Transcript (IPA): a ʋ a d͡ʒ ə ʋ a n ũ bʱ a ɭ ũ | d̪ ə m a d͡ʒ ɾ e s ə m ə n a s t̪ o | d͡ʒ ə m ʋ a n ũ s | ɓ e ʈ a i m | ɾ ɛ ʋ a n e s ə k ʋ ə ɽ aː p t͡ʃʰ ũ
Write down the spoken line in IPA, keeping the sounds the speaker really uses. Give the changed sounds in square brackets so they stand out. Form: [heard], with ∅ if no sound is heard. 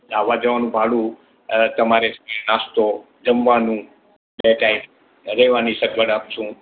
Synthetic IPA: a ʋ a d͡ʒ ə ʋ a n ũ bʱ a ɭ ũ | [t̪] ə m a [∅] ɾ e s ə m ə n a s t̪ o | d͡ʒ ə m ʋ a n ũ [∅] | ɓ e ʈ a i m | ɾ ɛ ʋ a n [i] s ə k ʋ ə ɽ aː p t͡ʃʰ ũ

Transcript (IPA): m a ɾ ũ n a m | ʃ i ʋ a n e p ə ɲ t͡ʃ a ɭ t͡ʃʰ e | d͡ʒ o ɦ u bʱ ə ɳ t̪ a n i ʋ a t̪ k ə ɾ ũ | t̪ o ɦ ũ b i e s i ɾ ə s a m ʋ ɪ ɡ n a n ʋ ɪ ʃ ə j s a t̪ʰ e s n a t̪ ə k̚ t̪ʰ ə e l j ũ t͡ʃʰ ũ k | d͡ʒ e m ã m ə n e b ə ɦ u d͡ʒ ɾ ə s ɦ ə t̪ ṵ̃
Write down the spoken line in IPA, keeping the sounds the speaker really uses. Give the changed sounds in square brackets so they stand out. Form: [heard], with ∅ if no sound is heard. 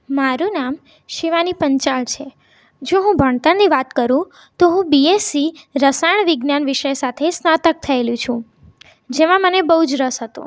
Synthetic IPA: m a ɾ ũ n a m | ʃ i ʋ a n [i] p ə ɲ t͡ʃ a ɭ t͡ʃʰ e | d͡ʒ o ɦ [ũ] bʱ ə ɳ t̪ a n i ʋ a t̪ k ə ɾ ũ | t̪ o ɦ ũ b i e s i ɾ ə s a [ɳ] ʋ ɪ ɡ n a n ʋ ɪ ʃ ə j s a t̪ʰ e s n a t̪ ə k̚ t̪ʰ ə e l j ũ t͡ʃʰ ũ [∅] | d͡ʒ e m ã m ə n e b ə ɦ u d͡ʒ ɾ ə s ɦ ə t̪ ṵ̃

